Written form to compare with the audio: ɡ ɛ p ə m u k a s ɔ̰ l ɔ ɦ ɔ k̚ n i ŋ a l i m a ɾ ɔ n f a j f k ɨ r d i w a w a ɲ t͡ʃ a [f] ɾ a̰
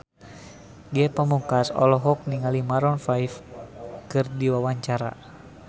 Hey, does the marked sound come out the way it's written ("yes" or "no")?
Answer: no